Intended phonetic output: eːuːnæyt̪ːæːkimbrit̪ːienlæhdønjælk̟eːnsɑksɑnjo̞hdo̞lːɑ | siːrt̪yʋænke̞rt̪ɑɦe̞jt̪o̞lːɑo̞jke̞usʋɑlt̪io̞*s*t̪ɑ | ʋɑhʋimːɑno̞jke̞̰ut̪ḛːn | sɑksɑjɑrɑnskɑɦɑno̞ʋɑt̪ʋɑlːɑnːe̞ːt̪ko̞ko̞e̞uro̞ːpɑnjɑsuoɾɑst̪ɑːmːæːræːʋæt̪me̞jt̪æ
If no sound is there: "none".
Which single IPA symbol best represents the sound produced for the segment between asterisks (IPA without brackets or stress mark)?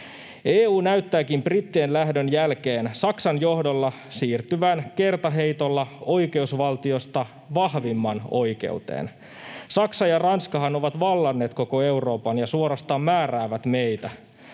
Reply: s